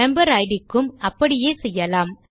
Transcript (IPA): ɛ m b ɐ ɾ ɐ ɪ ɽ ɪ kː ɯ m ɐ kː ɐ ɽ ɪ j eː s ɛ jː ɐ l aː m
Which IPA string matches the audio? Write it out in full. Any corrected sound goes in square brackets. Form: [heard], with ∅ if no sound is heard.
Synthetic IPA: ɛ m b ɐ ɾ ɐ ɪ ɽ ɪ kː ɯ m ɐ [pː] ɐ ɽ ɪ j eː s ɛ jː ɐ l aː m